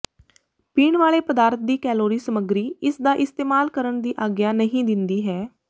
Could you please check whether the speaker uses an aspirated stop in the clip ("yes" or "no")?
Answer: no